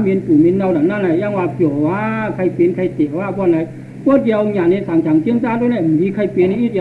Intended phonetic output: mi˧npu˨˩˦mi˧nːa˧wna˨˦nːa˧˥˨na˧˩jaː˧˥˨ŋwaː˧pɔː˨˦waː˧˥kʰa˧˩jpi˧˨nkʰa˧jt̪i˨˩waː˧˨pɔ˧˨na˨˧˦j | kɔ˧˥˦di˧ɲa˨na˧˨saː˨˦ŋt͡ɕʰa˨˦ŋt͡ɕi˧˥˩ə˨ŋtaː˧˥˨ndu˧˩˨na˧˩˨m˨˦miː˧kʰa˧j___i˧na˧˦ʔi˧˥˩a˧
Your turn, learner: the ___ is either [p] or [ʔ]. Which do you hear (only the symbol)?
p